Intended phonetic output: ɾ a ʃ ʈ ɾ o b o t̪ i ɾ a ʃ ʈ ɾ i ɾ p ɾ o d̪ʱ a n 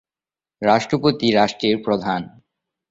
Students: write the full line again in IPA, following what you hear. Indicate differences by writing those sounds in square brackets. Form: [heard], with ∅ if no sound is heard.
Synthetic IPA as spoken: ɾ a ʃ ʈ ɾ o [p] o t̪ i ɾ a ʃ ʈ ɾ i ɾ p ɾ o d̪ʱ a n